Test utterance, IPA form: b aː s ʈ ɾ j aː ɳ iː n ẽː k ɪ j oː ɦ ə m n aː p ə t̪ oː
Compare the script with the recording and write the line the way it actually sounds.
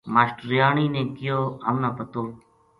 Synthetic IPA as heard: m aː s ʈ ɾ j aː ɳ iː n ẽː k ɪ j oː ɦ ə m n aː p ə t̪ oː